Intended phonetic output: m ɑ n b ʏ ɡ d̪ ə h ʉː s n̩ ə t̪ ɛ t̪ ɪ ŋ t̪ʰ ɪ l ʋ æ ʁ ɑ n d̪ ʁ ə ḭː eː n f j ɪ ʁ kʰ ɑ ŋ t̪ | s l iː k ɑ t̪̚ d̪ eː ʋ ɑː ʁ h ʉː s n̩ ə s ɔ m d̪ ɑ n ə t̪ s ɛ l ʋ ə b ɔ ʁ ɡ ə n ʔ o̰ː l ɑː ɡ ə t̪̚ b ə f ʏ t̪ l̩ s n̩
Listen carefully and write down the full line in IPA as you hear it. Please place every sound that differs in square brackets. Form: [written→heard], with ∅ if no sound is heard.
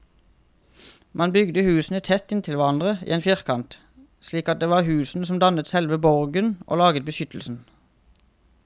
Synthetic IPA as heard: m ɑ n b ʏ ɡ d̪ ə h ʉː s n̩ ə [t̪→t̪ʰ] ɛ t̪ ɪ [ŋ→n] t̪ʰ ɪ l ʋ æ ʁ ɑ n d̪ ʁ ə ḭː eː n f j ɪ ʁ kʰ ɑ [ŋ→n] t̪ | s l iː k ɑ t̪̚ d̪ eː ʋ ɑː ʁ h ʉː s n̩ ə s ɔ m d̪ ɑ n ə t̪ s ɛ l ʋ ə b ɔ ʁ ɡ ə n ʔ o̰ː l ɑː ɡ ə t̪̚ b ə [f→ʃ] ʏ t̪ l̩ s n̩

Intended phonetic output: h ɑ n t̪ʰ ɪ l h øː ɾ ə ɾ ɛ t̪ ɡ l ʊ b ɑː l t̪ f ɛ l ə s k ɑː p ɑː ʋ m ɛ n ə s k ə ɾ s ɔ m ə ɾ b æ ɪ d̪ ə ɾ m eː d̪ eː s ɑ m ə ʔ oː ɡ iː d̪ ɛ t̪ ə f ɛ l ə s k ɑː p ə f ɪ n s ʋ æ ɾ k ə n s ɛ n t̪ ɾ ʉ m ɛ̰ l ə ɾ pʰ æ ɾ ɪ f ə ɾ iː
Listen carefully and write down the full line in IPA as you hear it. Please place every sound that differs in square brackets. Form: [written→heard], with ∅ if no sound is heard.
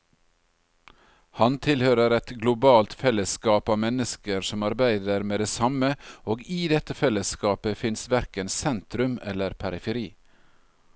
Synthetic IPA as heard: h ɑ n t̪ʰ ɪ l h øː ɾ ə ɾ ɛ t̪ ɡ l ʊ b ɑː l t̪ f ɛ l ə s k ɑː p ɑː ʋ m ɛ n ə s k ə ɾ s ɔ m [ə→ɑ] ɾ b æ ɪ d̪ ə ɾ m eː d̪ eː s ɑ m ə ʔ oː ɡ iː d̪ ɛ t̪ ə f ɛ l ə s k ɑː p ə f ɪ n s ʋ æ ɾ k ə n s ɛ n t̪ ɾ ʉ m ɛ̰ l ə ɾ pʰ æ ɾ ɪ f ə ɾ iː

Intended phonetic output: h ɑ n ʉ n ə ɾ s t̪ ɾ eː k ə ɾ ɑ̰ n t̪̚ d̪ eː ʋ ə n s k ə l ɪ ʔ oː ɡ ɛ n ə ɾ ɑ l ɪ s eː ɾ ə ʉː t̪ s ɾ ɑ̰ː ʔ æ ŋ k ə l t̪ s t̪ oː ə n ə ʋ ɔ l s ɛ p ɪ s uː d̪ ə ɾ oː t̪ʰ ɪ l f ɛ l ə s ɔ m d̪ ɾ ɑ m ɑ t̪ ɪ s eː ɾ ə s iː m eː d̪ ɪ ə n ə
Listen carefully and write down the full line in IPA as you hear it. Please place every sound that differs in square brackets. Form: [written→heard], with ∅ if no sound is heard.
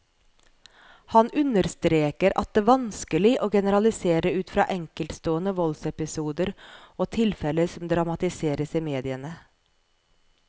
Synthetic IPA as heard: h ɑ n ʉ n ə ɾ s t̪ ɾ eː k ə ɾ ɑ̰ [n→∅] t̪̚ d̪ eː ʋ [ə→ɑ] n s k ə l ɪ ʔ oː ɡ ɛ n ə ɾ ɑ l ɪ s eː ɾ ə ʉː t̪ [s→f] ɾ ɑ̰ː ʔ [æ→ɛ] ŋ k ə l t̪ s t̪ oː ə n ə ʋ ɔ l s ɛ p ɪ s uː d̪ ə ɾ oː t̪ʰ ɪ l f ɛ l ə s ɔ m d̪ ɾ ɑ m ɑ t̪ ɪ s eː ɾ ə s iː m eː d̪ ɪ ə n ə

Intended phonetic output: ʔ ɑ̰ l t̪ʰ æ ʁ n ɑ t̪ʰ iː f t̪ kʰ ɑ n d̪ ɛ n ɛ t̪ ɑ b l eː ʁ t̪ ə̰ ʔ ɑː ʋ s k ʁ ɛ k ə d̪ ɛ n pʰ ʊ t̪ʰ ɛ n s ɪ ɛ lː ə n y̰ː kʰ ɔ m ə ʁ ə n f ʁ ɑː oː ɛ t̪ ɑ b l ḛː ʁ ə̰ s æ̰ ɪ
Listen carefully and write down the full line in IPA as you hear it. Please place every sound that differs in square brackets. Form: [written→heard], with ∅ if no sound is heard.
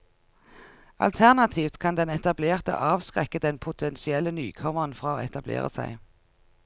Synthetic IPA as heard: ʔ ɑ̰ l t̪ʰ æ ʁ n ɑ t̪ʰ iː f t̪ kʰ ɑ n d̪ ɛ n ɛ t̪ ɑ b l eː ʁ t̪ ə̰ ʔ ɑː ʋ s k ʁ ɛ k ə d̪ ɛ n pʰ ʊ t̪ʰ ɛ n s ɪ ɛ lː ə n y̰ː kʰ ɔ m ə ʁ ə n f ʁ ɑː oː ɛ t̪ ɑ b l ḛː ʁ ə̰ s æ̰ ɪ

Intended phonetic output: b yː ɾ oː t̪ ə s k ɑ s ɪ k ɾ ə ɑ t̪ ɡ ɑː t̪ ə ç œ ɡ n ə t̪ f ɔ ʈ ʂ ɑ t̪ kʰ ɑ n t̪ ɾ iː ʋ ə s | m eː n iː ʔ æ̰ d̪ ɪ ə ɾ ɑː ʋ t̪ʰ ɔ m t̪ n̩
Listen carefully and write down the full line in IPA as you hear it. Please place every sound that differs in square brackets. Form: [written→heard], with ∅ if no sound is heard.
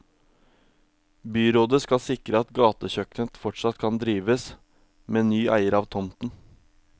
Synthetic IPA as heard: b yː ɾ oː [t̪→d̪] ə s k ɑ s ɪ k ɾ ə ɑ t̪ ɡ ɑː t̪ ə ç œ [ɡ→k] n ə t̪ f ɔ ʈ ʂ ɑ t̪ kʰ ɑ n [t̪→d̪] ɾ iː ʋ ə s | m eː n [iː→yː] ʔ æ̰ [d̪→∅] ɪ ə ɾ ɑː ʋ t̪ʰ ɔ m t̪ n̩

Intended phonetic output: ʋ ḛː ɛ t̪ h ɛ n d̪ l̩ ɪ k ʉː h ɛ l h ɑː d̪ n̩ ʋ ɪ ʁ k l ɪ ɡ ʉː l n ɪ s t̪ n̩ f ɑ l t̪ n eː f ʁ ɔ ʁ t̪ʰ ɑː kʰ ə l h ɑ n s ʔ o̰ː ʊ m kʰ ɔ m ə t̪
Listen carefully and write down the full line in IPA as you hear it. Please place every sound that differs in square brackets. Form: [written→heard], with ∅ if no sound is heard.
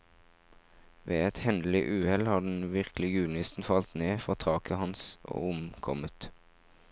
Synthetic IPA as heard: ʋ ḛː ɛ t̪ h ɛ n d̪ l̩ ɪ [k→ʔ] ʉː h ɛ l h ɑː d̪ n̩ ʋ ɪ ʁ k l ɪ ɡ ʉː l n ɪ s t̪ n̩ f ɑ l t̪ n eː f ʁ ɔ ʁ t̪ʰ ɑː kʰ ə [l→∅] h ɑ n s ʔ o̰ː ʊ m kʰ ɔ m ə t̪

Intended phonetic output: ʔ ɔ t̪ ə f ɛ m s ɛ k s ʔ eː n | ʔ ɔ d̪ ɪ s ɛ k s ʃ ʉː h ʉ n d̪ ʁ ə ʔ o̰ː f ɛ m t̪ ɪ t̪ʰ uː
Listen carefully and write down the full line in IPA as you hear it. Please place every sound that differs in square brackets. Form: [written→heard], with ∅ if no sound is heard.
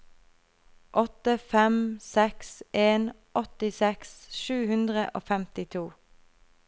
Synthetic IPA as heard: ʔ ɔ t̪ ə f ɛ m s ɛ k s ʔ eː n | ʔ ɔ [d̪→t̪] ɪ s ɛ k s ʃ ʉː h ʉ n d̪ ʁ ə ʔ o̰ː f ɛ m t̪ ɪ t̪ʰ uː

